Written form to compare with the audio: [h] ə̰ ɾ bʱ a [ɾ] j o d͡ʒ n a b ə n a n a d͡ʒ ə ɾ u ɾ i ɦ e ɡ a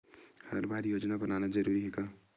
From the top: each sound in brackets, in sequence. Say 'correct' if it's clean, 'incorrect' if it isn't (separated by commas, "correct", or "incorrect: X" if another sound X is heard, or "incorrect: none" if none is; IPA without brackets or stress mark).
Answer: correct, correct